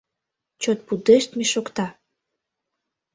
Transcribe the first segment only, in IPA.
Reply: t͡ɕ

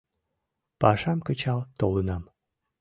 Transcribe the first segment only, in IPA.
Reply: p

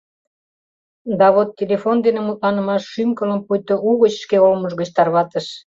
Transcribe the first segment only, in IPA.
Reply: d̪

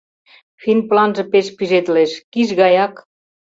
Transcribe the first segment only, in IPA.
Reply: f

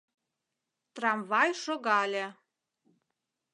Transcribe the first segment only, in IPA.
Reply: t̪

